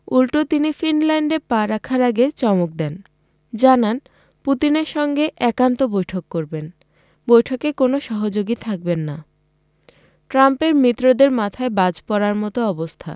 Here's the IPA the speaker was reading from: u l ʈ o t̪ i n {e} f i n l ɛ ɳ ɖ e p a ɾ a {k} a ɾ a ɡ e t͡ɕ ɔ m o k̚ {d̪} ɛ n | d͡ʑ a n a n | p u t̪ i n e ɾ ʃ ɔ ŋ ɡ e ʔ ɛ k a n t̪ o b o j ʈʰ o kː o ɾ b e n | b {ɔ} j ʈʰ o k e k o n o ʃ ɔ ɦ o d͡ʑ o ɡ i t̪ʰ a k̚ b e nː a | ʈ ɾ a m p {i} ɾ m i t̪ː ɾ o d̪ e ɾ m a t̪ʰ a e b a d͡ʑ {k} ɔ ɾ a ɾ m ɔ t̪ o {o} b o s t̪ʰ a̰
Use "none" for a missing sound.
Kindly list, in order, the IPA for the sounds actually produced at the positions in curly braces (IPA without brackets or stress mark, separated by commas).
i, kʰ, d̪, o, e, p, ɔ